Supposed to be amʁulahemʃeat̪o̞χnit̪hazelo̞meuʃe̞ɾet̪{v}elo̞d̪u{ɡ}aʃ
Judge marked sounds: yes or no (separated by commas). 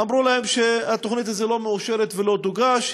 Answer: yes, yes